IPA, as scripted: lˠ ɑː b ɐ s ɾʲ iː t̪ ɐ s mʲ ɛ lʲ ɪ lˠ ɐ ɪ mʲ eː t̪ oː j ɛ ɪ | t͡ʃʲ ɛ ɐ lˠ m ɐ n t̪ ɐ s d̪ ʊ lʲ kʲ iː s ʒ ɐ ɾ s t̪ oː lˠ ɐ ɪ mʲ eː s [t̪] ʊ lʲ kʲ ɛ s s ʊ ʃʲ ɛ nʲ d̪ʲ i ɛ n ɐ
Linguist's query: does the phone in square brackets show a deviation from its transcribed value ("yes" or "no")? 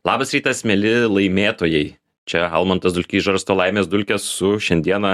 yes